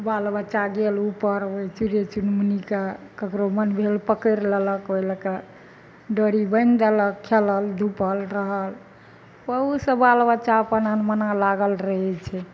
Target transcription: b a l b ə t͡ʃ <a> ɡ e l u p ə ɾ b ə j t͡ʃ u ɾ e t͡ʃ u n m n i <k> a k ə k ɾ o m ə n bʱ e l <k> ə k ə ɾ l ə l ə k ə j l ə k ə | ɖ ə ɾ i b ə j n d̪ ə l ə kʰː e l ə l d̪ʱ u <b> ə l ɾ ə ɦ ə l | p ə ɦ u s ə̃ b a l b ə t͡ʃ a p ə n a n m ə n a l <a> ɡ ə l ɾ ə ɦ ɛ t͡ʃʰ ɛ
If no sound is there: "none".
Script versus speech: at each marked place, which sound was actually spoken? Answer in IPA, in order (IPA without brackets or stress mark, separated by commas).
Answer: a, k, p, p, a